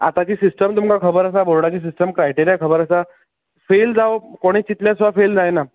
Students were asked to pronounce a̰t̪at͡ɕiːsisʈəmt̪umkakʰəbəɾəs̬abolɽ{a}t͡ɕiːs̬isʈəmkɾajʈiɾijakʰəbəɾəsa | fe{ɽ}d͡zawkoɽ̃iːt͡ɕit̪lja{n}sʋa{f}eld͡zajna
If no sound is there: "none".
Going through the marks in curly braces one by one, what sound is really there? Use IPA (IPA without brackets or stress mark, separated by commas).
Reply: a, l, none, f